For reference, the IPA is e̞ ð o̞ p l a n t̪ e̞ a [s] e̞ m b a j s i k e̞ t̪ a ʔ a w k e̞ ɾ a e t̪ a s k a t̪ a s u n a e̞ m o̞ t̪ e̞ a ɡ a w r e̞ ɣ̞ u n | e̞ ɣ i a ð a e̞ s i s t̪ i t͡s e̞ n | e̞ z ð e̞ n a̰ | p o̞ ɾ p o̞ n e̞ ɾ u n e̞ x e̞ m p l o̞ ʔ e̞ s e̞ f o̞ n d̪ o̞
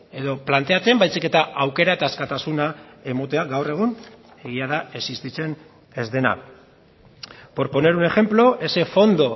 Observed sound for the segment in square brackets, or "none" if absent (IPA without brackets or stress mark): t͡s